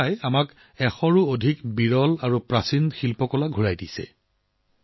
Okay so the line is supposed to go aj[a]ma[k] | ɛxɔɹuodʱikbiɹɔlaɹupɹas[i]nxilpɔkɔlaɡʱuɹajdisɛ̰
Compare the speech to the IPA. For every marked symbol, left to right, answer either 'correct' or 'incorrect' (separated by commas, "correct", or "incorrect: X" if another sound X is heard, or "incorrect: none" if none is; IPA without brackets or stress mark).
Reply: correct, correct, correct